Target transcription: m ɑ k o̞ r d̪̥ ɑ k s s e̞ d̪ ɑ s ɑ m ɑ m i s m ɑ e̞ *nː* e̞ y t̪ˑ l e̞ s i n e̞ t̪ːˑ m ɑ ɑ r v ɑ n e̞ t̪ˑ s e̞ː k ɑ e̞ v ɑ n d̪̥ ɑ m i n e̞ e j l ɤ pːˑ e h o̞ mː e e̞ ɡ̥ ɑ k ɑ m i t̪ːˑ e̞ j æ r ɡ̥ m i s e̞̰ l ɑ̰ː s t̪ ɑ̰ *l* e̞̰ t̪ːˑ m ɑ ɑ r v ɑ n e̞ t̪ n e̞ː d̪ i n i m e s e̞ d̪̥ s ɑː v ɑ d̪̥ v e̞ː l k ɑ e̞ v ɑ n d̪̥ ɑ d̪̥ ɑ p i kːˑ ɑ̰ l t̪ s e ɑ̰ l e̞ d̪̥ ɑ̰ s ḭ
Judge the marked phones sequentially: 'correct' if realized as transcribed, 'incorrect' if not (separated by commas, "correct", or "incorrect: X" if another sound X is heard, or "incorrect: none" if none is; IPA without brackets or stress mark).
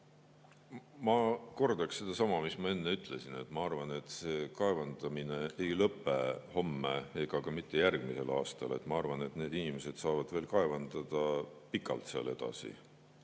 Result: correct, correct